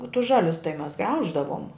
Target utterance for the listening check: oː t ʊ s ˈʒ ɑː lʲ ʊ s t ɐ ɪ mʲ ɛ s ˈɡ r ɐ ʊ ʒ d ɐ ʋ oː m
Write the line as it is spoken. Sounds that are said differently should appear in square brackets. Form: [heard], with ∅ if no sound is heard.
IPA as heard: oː t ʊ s ˈʒ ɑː lʲ ʊ s t ɐ ɪ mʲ ɛ s ˈɡ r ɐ ʊ ʒ d ɐ ʋ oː m